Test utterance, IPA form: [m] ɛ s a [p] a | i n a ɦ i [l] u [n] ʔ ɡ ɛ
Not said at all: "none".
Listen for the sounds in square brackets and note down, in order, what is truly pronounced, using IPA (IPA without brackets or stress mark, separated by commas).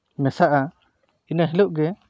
m, ʔ, l, none